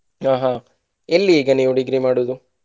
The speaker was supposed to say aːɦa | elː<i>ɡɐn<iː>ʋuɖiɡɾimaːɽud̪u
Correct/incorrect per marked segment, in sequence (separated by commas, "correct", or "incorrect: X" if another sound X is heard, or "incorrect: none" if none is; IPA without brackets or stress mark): incorrect: iː, correct